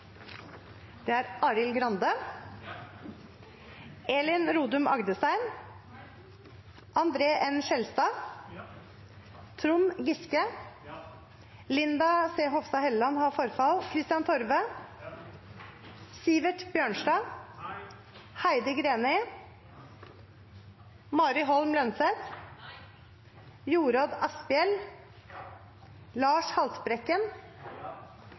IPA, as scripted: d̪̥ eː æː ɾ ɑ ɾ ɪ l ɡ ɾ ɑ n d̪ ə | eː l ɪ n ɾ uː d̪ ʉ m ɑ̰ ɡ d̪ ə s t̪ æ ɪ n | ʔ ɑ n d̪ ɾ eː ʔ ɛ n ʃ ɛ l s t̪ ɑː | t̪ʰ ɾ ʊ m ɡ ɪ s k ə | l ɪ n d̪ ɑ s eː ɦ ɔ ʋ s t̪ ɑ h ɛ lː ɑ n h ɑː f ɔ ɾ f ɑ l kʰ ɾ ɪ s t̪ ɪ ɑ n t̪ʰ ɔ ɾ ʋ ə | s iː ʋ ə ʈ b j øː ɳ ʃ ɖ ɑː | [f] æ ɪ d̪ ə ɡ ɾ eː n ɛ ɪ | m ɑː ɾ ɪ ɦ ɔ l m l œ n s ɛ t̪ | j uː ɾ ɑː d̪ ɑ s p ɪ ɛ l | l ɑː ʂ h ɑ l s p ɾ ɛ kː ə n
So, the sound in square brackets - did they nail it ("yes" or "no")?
no